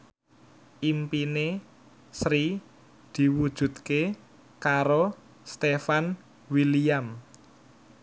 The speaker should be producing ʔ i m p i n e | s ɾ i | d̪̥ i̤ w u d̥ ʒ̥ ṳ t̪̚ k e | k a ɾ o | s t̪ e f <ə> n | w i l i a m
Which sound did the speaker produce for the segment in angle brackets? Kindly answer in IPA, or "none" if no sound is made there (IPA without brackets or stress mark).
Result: a